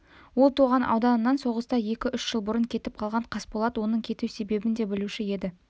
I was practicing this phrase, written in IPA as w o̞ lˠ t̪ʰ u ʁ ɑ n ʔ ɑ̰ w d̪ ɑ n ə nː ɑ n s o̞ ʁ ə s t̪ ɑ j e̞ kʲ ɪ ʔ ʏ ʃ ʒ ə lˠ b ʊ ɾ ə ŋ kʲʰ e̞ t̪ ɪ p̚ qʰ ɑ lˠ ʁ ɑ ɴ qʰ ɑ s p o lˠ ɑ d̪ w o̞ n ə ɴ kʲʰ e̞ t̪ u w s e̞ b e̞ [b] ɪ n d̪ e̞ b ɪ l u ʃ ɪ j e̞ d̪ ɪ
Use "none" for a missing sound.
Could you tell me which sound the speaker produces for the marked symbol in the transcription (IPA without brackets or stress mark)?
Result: b